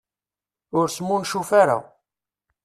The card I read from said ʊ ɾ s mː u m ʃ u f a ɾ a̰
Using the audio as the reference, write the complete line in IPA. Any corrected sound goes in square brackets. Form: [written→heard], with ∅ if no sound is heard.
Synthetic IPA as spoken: ʊ ɾ s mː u [m→n] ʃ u f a ɾ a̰